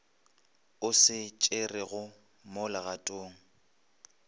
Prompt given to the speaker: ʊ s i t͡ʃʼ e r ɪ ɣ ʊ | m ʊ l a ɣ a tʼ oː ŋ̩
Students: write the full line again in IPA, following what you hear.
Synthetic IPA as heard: ʊ s ɪ t͡ʃʼ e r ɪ ɣ ʊ | m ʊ l a ɣ a tʼ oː ŋ̩

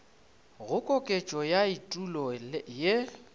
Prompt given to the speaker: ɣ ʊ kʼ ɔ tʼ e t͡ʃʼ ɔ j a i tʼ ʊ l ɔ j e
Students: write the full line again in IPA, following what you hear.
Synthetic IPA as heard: ɣ ʊ kʼ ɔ kʼ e t͡ʃʼ ɔ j a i tʼ u l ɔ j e

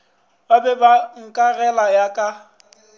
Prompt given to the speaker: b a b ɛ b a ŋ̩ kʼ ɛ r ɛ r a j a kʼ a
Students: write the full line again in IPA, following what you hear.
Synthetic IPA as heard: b a b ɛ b a ŋ̩ kʼ a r ɛ l a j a kʼ a

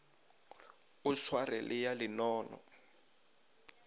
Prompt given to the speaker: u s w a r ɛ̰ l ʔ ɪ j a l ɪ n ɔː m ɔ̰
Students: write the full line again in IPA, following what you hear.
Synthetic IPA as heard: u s w a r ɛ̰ l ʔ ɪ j a l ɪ n ɔː n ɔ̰

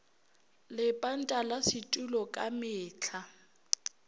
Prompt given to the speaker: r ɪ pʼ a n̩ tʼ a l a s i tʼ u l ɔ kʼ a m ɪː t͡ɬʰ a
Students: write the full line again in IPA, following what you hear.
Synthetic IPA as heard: l ɪ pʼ a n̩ tʼ a l a s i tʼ u l ɔ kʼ a m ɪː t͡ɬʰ a

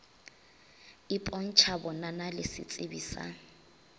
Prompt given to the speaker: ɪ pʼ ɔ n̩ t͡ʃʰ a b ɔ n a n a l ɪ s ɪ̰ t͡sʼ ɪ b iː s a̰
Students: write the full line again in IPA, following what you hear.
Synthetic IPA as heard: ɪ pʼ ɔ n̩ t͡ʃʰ a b ɔ n a n a l ɪ s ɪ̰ t͡sʼ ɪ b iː s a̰

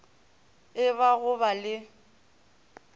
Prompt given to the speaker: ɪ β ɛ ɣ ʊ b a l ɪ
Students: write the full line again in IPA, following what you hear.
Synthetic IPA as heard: ɪ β a ɣ ʊ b a l ɪ

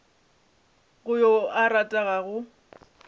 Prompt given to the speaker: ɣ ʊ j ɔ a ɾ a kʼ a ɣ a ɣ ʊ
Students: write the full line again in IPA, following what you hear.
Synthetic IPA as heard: ɣ ʊ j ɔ a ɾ a tʼ a ɣ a ɣ ʊ

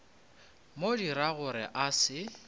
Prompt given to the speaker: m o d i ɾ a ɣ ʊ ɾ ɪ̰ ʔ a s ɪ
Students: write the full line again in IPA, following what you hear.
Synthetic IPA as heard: m o d i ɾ a ɣ ʊ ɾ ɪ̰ ʔ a s ɪ

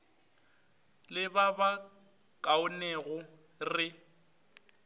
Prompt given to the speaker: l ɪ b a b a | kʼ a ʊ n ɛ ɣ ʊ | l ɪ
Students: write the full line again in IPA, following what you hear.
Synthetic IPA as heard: l ɪ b a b a | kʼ a ʊ n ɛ ɣ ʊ | r ɪ

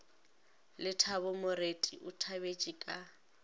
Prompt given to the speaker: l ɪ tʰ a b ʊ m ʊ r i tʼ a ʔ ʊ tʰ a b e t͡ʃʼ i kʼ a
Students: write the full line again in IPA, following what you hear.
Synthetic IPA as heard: l ɪ tʰ a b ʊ m ʊ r e tʼ i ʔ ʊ tʰ a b e t͡ʃʼ i kʼ a

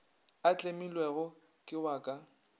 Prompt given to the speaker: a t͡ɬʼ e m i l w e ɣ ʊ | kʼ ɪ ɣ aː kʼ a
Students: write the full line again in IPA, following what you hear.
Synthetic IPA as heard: a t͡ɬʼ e m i l w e ɣ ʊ | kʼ ɪ w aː kʼ a

